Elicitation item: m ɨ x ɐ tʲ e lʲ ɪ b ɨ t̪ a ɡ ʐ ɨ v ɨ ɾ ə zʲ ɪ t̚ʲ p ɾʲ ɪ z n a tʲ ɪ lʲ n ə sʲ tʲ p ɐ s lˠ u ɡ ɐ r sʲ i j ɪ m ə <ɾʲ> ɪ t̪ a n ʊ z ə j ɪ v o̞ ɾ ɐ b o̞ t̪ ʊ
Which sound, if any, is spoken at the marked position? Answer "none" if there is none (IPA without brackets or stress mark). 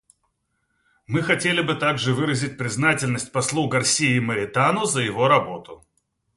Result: ɾʲ